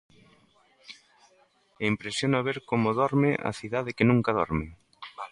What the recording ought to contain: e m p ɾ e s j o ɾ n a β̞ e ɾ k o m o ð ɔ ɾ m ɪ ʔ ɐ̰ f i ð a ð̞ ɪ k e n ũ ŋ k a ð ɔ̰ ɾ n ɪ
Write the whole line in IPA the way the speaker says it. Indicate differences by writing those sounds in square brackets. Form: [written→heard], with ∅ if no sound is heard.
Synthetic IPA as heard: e m p ɾ e s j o [ɾ→∅] n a β̞ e ɾ k o m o ð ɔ ɾ m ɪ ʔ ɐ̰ [f→θ] i ð a ð̞ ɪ k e n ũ ŋ k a ð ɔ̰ ɾ [n→m] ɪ